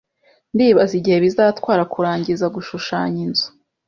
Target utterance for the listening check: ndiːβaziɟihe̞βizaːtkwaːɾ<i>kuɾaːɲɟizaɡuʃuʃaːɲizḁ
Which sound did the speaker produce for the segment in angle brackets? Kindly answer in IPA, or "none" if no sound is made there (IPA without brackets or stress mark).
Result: a